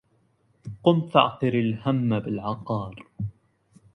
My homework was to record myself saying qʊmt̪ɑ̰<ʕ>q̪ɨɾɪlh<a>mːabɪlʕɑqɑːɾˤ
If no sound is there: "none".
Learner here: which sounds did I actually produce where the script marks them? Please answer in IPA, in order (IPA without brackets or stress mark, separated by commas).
ʕ, a